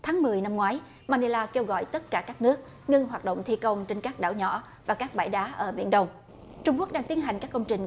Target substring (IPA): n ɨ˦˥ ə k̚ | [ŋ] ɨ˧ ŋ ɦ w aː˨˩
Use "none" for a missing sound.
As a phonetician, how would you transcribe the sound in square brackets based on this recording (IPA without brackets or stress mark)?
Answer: ŋ